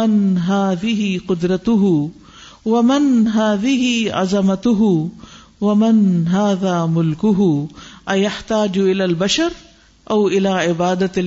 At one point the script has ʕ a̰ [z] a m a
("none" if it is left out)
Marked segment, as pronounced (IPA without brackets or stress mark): z